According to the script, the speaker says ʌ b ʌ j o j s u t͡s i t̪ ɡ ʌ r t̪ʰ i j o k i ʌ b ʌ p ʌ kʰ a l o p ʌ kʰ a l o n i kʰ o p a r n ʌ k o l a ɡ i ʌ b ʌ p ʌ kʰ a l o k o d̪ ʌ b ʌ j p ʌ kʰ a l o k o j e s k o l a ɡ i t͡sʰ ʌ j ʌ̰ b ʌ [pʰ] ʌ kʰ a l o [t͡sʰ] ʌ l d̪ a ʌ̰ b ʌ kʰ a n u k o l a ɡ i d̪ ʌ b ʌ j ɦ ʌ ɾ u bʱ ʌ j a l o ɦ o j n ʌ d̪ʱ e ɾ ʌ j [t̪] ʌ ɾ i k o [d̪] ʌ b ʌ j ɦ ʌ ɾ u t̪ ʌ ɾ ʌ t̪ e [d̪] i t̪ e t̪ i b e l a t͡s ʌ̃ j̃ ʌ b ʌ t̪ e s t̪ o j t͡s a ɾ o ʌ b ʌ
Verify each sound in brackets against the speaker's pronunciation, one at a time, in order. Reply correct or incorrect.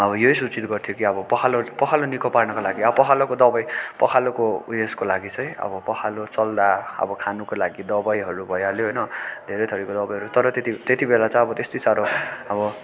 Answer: incorrect, incorrect, incorrect, correct, incorrect

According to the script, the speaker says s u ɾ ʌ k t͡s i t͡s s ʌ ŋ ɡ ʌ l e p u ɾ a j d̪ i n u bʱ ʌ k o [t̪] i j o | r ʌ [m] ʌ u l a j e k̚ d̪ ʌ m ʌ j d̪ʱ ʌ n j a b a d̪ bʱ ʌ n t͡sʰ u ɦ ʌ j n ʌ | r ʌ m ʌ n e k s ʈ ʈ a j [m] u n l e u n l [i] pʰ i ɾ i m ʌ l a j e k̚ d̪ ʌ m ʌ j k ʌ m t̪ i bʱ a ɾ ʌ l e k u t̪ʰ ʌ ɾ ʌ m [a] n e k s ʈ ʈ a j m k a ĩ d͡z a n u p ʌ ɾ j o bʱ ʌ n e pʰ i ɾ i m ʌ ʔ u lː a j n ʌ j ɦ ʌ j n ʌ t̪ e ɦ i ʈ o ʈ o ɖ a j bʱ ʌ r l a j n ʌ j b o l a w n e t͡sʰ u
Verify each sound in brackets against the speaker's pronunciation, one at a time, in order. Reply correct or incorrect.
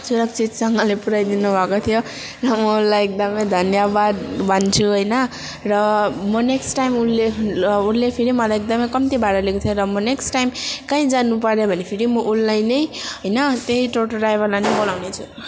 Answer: incorrect, correct, correct, incorrect, incorrect

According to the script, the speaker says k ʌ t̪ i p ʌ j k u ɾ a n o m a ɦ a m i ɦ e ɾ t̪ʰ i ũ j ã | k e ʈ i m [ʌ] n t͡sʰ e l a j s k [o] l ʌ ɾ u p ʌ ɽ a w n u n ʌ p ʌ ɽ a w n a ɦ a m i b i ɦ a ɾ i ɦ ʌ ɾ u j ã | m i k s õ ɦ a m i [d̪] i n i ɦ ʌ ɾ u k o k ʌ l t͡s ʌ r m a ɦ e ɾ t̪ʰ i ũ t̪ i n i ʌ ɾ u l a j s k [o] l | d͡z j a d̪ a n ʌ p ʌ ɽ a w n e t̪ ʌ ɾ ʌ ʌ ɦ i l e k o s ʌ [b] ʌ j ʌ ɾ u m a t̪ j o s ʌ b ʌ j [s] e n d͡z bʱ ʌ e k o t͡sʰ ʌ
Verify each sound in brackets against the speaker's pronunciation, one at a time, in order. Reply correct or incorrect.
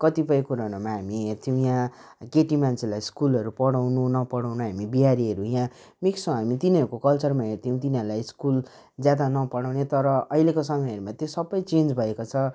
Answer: incorrect, incorrect, incorrect, incorrect, incorrect, incorrect

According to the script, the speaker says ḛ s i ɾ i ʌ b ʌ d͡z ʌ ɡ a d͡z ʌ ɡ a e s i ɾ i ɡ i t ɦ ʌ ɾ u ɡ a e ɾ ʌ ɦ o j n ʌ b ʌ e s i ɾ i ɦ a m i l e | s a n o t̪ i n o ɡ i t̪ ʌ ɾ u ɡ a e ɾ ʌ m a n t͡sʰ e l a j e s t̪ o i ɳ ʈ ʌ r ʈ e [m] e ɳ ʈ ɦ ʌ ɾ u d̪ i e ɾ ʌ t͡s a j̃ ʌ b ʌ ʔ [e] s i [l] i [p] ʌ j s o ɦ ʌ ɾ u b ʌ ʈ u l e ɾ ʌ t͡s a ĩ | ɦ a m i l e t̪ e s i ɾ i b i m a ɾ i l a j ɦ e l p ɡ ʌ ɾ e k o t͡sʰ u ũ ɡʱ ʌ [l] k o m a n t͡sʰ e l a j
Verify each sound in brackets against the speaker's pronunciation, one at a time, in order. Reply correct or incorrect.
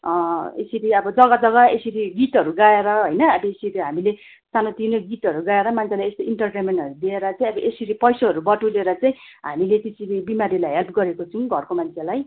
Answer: correct, correct, incorrect, correct, incorrect

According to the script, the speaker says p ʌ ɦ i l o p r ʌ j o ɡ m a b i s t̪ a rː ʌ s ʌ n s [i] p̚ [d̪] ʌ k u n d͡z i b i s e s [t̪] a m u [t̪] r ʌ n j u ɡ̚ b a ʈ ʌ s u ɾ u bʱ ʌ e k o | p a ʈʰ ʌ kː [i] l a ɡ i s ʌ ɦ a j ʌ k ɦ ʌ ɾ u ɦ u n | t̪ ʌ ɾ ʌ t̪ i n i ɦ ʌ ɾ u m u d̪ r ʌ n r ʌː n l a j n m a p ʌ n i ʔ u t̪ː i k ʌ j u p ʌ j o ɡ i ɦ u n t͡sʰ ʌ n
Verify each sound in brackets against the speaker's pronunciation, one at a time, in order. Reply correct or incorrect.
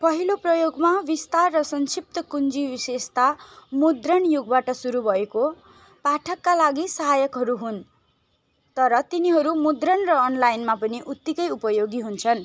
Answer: correct, incorrect, correct, incorrect, incorrect

